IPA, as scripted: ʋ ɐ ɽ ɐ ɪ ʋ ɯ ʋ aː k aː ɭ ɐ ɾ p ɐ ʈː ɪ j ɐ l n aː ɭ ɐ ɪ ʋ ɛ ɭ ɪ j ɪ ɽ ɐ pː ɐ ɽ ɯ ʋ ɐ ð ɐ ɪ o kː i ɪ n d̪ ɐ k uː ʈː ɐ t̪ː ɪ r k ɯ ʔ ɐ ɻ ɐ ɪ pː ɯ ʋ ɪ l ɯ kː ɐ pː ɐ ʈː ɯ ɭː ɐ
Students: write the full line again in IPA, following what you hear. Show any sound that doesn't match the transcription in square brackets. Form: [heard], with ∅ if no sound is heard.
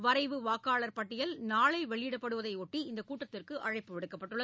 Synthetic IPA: ʋ ɐ [ɾ] ɐ ɪ ʋ ɯ ʋ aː k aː ɭ ɐ ɾ p ɐ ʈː ɪ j ɐ l n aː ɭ ɐ ɪ ʋ ɛ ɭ ɪ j ɪ ɽ ɐ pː ɐ ɽ ɯ ʋ ɐ ð ɐ ɪ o [ʈː] i ɪ n d̪ ɐ k uː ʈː ɐ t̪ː ɪ r k ɯ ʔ ɐ ɻ ɐ ɪ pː ɯ ʋ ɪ [ɽ] ɯ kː ɐ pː ɐ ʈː ɯ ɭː ɐ